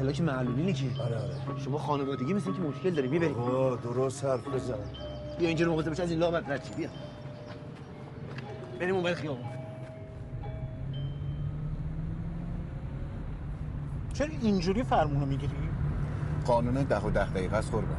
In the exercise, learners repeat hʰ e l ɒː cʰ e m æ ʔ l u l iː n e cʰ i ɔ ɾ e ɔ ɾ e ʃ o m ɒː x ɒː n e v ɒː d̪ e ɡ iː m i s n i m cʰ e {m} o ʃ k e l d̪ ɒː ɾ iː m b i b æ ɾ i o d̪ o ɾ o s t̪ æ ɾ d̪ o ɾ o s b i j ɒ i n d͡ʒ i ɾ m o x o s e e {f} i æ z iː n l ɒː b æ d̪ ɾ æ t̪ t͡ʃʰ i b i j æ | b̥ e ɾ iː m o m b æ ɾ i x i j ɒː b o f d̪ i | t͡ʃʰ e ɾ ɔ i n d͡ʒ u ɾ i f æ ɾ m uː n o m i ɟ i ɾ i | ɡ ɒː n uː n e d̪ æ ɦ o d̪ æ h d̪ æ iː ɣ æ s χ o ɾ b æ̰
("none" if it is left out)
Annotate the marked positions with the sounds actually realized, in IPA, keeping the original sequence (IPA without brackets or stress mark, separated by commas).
m, ʃ